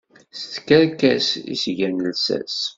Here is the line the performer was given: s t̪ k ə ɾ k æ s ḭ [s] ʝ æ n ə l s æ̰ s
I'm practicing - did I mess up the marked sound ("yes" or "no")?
no